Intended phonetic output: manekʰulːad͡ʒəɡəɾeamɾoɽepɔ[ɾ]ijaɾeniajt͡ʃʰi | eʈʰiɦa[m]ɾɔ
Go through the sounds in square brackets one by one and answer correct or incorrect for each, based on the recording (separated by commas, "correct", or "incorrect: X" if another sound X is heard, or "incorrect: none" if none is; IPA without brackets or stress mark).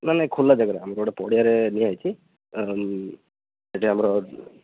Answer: incorrect: ɽ, correct